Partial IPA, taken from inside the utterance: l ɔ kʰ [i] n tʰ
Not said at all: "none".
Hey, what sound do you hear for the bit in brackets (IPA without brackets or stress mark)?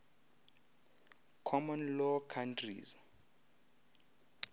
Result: a